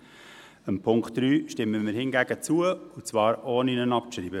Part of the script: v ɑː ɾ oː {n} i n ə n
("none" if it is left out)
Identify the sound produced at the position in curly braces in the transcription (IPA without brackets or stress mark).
n